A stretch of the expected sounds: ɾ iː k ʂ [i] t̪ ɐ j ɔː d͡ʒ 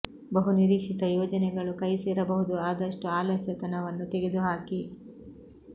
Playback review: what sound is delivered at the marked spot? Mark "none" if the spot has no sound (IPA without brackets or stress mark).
i